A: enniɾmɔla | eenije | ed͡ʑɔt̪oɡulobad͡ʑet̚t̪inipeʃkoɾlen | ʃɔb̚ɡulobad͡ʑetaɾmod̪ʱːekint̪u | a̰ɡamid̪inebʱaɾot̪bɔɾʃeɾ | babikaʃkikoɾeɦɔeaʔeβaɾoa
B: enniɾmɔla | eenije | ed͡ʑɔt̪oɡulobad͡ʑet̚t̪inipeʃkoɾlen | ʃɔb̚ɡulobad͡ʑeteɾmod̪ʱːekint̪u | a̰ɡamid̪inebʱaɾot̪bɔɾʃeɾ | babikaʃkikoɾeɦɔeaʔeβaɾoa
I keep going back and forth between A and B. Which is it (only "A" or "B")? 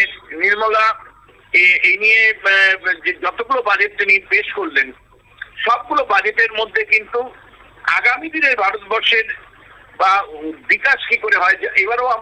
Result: B